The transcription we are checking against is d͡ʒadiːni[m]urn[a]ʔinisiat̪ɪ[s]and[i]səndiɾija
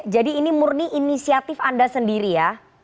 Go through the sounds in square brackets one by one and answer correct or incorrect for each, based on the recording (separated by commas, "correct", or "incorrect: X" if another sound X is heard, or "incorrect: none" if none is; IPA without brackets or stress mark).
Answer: correct, incorrect: i, incorrect: f, incorrect: a